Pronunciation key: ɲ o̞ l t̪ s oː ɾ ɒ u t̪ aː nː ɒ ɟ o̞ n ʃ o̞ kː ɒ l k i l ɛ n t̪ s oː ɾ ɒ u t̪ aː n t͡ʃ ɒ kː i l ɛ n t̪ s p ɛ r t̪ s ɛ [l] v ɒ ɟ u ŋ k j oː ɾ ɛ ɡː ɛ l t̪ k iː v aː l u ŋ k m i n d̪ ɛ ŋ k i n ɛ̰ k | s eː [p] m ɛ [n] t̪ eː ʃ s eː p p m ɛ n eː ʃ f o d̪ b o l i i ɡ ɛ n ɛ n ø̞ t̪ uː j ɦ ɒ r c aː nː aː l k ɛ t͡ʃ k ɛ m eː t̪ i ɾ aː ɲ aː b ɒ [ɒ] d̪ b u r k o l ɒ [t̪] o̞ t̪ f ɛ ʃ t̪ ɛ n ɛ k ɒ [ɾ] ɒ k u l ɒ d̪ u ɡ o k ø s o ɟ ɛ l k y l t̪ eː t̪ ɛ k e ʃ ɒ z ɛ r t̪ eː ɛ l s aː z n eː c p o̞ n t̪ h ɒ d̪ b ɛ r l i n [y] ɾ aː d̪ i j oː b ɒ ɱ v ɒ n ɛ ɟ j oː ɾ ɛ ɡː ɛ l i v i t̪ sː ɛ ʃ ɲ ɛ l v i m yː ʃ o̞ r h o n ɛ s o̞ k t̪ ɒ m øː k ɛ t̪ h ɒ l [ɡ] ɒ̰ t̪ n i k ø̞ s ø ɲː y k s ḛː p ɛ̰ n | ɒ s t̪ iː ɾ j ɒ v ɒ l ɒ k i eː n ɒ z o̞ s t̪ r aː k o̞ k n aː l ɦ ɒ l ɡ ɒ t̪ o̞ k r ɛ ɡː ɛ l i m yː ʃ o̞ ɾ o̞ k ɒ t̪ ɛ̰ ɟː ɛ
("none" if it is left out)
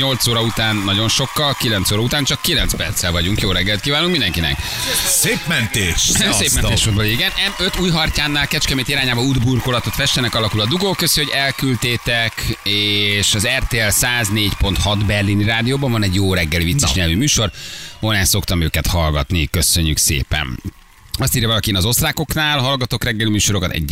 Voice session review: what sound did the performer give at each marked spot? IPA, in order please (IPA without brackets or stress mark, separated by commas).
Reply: l, p, n, u, t̪, l, i, ɡ